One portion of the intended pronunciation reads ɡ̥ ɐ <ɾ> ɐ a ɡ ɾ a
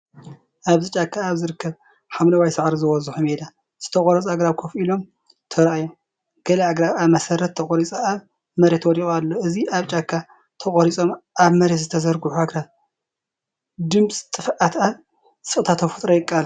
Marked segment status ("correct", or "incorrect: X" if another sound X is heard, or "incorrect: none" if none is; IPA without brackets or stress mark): incorrect: l